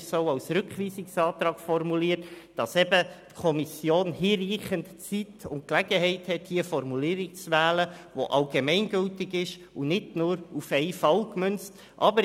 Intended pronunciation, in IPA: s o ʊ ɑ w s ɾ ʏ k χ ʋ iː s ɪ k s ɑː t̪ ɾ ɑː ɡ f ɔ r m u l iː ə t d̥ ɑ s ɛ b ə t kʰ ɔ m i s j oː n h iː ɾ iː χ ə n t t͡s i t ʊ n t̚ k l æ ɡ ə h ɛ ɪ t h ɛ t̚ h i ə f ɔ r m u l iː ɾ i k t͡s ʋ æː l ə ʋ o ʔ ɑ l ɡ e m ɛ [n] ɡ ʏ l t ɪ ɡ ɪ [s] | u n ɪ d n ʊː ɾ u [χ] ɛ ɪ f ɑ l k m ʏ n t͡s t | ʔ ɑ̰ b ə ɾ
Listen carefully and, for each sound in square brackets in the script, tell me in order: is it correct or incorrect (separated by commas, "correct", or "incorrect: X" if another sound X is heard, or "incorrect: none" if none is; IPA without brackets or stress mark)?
correct, incorrect: ʃ, incorrect: f